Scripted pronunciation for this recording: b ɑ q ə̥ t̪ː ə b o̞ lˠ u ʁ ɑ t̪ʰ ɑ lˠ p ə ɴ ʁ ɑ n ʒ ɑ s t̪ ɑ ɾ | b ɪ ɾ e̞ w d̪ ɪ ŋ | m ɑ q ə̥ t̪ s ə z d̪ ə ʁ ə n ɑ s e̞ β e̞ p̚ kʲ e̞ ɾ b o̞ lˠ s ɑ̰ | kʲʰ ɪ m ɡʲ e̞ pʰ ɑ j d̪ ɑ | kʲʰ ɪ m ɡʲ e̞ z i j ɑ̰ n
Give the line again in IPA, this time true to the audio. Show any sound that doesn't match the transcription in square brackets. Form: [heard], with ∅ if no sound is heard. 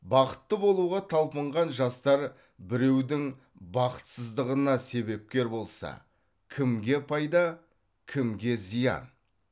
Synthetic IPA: b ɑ q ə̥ t̪ː ə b o̞ lˠ u ʁ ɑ t̪ʰ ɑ lˠ p ə ɴ ʁ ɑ n ʒ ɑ s t̪ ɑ ɾ | b ɪ ɾ e̞ w d̪ ɪ ŋ | [b] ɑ q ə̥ t̪ s ə z d̪ ə ʁ ə n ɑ s e̞ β e̞ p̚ kʲ e̞ ɾ b o̞ lˠ s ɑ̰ | kʲʰ ɪ m ɡʲ e̞ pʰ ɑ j d̪ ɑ | kʲʰ ɪ m ɡʲ e̞ z i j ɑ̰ n